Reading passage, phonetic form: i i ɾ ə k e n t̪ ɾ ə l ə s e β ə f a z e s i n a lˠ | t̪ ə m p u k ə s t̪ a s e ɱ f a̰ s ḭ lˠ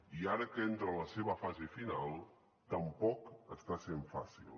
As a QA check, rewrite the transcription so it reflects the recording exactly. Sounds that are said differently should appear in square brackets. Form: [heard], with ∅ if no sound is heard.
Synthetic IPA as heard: i [a] ɾ ə k e n t̪ ɾ ə l ə s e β ə f a z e [f] i n a lˠ | t̪ ə m p [ɔ] k ə s t̪ a s e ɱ f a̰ s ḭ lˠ